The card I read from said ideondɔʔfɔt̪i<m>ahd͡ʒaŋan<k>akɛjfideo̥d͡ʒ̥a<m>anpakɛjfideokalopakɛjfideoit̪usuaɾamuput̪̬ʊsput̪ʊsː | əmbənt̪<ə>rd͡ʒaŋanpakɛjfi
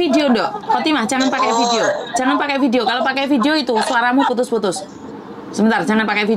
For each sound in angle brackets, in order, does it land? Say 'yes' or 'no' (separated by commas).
yes, no, no, no